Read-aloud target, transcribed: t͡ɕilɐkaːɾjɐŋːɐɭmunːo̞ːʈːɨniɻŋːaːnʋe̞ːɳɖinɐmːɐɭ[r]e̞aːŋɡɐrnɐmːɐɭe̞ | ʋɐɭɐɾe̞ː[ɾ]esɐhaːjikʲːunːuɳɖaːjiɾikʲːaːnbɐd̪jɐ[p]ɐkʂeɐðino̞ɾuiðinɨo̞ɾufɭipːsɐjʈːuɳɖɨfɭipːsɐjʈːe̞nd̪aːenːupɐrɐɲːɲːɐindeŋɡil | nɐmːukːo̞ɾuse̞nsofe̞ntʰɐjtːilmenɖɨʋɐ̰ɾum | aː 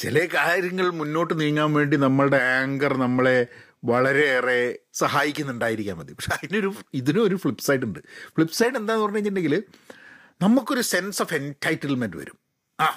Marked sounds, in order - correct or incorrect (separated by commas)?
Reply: incorrect, incorrect, correct